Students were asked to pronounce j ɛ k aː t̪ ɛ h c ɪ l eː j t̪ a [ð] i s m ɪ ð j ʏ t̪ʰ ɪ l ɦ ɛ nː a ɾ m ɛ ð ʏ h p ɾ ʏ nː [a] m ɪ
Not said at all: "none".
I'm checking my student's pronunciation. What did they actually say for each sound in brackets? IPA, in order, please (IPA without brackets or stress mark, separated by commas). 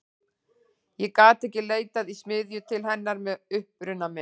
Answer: ð, a